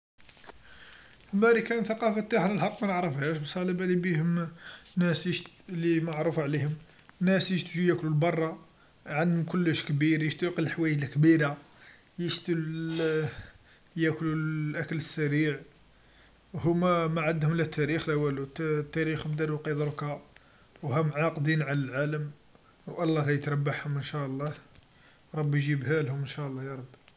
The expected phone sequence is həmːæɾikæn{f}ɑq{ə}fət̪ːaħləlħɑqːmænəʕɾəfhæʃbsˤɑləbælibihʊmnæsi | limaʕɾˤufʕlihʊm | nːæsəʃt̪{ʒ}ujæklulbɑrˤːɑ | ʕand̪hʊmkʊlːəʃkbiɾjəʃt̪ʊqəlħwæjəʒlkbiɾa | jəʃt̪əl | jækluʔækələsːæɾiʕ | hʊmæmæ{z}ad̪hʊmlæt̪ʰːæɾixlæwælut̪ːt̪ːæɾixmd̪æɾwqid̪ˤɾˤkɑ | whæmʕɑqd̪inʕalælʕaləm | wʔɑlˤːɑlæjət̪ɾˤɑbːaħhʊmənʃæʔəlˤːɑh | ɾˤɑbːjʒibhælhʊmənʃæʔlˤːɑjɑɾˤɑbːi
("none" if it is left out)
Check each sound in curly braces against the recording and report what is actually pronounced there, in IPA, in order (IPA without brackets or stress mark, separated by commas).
θ, ɑ, ʒ, ʕ